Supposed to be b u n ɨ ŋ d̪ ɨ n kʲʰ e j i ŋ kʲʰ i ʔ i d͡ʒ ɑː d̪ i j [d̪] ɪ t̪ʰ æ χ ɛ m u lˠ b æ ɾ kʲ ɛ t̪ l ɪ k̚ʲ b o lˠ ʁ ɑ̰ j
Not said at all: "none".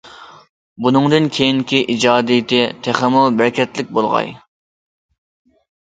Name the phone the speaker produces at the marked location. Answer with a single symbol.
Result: t̪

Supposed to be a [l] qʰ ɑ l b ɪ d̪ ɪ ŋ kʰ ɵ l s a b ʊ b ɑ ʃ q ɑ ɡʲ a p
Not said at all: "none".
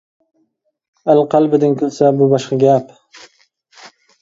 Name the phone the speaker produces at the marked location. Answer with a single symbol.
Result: l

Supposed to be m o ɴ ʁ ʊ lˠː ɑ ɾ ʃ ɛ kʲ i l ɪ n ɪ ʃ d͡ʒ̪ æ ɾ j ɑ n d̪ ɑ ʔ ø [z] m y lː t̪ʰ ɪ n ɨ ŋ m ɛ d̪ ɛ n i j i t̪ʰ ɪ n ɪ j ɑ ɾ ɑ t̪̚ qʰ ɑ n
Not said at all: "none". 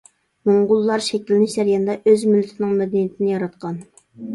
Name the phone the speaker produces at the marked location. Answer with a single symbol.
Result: z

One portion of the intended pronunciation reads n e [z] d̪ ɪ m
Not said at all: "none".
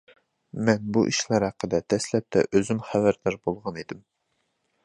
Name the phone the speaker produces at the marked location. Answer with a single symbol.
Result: none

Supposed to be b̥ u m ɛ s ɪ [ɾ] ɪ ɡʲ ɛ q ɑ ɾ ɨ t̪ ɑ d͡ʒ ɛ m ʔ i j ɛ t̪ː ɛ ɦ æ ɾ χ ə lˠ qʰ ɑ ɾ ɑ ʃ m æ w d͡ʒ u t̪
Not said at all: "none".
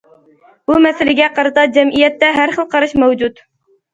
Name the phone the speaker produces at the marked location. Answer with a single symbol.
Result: l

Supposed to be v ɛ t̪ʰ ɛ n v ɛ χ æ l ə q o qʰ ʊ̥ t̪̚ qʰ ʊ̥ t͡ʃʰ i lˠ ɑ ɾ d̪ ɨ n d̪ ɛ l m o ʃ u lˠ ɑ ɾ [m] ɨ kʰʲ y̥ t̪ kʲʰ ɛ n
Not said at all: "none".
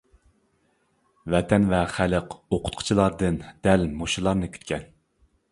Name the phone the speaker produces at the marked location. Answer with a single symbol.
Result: n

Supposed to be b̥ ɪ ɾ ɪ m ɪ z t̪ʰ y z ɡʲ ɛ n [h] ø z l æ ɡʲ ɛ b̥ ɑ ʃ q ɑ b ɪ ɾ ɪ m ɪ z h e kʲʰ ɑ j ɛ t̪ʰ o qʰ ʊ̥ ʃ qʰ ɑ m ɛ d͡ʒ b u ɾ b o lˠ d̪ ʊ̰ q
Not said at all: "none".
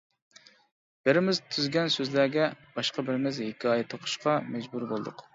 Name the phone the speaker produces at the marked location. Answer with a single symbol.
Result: s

